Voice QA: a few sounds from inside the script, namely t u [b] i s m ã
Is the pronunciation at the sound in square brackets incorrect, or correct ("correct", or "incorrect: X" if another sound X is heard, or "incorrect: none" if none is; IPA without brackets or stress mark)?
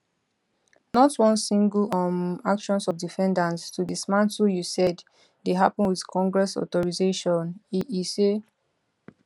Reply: incorrect: d